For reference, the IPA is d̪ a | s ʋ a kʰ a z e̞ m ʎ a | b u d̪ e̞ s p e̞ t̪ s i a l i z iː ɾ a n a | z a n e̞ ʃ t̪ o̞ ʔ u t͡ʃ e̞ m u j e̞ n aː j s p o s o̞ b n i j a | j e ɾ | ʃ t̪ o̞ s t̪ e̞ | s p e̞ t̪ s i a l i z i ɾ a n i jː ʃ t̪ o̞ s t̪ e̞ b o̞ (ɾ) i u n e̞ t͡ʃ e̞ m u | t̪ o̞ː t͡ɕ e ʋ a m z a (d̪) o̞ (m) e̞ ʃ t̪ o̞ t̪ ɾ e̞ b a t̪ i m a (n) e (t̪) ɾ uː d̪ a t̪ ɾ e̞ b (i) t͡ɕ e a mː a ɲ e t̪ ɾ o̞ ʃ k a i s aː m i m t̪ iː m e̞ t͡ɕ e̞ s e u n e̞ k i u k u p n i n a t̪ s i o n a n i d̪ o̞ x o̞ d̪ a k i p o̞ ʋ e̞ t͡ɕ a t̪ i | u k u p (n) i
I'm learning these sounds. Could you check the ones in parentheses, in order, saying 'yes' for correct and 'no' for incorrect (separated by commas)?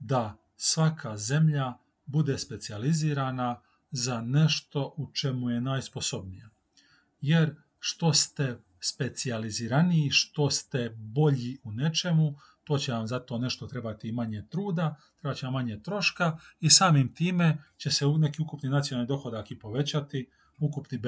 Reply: no, no, no, no, yes, no, yes